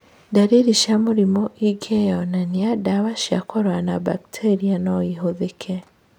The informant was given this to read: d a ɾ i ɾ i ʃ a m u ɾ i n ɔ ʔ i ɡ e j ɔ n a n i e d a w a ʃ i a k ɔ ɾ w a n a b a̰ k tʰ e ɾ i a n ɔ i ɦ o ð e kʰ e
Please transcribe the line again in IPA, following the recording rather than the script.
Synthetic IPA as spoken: d a ɾ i ɾ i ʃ a m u ɾ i m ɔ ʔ i ɡ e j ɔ n a n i a d a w a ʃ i a k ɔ ɾ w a n a b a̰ k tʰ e ɾ i a n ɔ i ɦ o ð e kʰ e